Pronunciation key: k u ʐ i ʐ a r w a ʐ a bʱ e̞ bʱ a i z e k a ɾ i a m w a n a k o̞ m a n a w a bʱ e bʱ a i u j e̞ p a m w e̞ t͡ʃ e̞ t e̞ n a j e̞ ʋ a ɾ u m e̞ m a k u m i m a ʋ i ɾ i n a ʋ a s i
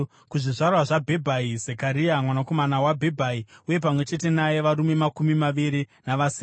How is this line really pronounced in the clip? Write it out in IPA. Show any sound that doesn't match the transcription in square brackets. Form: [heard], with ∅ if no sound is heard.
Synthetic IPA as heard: k u ʐ i ʐ a r w a ʐ a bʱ e̞ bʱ a i z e k a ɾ i a m w a n a k o̞ m a n a w a bʱ e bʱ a i u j e̞ p a m w e̞ t͡ʃ e̞ t e̞ n a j e̞ ʋ a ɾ u m e̞ m a k u m i m a ʋ i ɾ i n a ʋ a s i